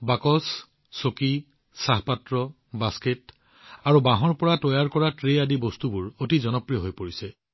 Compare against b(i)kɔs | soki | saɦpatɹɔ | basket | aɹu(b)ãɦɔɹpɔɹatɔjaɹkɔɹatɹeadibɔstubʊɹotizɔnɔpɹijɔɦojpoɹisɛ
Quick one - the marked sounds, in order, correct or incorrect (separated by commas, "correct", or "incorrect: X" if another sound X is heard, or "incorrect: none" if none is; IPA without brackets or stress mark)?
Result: incorrect: a, correct